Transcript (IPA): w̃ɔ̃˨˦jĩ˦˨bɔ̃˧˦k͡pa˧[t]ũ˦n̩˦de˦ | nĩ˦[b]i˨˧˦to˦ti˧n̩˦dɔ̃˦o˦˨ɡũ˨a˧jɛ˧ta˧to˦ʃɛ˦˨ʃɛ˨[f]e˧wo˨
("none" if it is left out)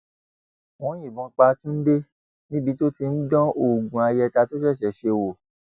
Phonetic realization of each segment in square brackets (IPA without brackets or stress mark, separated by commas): t, b, ʃ